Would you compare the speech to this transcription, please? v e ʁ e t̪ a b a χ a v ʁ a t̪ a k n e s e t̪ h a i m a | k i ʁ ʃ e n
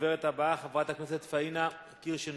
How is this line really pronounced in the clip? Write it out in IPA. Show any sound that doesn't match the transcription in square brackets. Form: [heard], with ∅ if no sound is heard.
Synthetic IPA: v e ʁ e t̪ a b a χ a v ʁ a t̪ a k n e s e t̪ [f] a i [n] a | k i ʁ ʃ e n